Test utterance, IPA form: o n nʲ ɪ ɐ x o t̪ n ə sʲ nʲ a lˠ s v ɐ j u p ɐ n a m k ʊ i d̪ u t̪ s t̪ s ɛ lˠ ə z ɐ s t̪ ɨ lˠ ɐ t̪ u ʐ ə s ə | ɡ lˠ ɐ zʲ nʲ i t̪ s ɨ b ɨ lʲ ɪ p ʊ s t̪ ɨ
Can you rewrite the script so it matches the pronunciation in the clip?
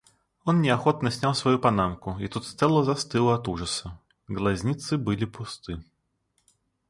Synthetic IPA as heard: o n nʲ ɪ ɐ x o t̪ n ə sʲ nʲ a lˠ s v ɐ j u p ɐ n a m k ʊ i t̪ u t̪ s t̪ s ɛ lˠ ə z ɐ s t̪ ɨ lˠ ɐ t̪ u ʐ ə s ə | ɡ lˠ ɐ zʲ nʲ i t̪ s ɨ b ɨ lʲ ɪ p ʊ s t̪ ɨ